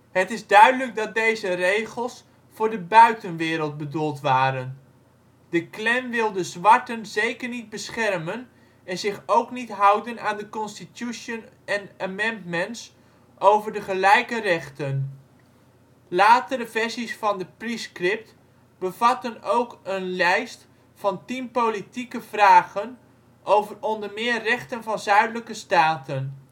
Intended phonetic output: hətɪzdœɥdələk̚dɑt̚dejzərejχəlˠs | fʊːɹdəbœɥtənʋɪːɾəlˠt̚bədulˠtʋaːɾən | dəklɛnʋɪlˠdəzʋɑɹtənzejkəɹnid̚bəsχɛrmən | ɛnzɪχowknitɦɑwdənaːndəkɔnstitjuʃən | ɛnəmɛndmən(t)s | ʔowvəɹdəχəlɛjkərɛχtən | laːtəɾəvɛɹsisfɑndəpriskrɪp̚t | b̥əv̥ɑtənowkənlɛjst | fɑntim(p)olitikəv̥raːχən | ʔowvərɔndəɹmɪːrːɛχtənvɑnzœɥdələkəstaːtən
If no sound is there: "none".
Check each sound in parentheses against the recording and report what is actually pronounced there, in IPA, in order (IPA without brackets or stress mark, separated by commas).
t, p